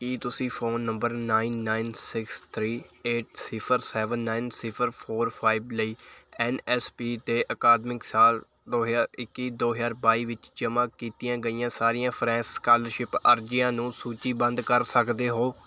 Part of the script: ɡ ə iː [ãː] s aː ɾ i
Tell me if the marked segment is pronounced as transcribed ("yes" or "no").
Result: yes